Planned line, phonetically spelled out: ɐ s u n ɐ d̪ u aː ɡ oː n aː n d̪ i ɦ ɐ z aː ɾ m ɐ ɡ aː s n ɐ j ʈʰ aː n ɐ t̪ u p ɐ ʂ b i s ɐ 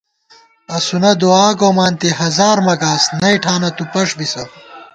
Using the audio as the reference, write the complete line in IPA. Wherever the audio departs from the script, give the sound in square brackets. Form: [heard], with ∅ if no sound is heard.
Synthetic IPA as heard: ɐ s u n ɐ d̪ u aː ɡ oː [m] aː n [t̪] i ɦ ɐ z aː ɾ m ɐ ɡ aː s n ɐ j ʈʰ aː n ɐ t̪ u p ɐ ʂ b i s ɐ